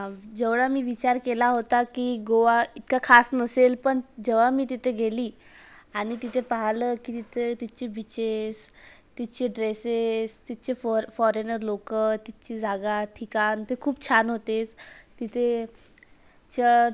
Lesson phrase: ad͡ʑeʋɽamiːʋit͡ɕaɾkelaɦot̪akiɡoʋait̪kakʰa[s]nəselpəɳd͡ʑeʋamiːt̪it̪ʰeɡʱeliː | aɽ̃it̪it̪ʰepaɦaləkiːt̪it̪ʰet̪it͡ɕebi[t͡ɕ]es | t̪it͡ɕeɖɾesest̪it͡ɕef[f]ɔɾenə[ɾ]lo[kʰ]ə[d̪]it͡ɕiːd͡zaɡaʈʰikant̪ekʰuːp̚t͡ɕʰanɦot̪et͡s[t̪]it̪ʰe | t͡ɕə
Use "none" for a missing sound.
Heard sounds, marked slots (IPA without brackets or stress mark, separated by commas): s, t͡ɕ, f, ɾ, k, t̪, t̪